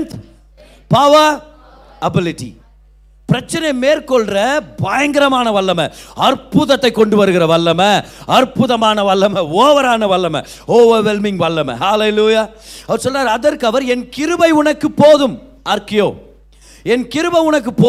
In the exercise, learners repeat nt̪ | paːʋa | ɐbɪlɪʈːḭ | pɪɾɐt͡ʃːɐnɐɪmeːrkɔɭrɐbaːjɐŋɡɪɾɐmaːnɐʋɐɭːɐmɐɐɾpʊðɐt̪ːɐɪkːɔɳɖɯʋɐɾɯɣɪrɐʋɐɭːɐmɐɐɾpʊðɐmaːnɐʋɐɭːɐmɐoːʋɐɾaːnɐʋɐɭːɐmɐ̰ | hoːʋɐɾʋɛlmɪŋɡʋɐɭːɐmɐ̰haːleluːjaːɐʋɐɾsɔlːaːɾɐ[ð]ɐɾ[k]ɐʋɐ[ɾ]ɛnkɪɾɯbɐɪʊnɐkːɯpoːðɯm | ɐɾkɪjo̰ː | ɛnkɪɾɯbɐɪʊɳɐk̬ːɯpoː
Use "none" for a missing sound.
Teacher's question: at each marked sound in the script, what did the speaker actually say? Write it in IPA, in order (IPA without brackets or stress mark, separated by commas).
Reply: ð, k, ɾ